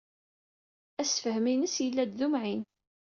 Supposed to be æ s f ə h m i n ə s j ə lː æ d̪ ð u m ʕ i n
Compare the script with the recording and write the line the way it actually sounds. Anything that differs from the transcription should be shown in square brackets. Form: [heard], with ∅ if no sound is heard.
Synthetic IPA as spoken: æ s f ə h m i n ə s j ə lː æ d̪ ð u m ʕ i n